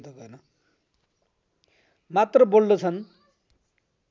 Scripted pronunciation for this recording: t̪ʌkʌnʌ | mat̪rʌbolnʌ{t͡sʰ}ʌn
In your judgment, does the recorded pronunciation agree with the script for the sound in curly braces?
yes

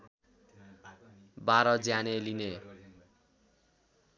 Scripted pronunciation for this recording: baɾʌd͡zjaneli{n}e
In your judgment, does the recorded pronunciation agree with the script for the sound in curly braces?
yes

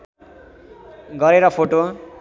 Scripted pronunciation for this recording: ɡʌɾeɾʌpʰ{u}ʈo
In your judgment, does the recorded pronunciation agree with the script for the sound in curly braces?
no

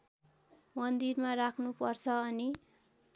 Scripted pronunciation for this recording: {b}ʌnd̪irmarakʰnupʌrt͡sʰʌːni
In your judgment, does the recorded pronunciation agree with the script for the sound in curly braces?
no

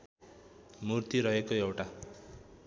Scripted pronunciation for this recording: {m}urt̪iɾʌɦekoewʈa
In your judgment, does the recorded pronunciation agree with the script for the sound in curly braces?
yes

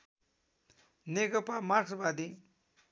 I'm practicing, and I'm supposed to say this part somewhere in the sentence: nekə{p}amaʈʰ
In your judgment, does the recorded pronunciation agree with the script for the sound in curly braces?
yes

